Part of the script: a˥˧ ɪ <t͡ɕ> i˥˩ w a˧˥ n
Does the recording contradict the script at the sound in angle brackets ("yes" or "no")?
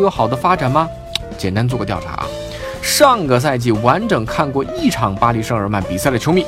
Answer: no